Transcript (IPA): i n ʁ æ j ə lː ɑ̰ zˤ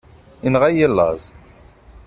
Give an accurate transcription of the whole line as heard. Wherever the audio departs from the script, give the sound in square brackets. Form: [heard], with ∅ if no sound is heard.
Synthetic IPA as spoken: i n ʁ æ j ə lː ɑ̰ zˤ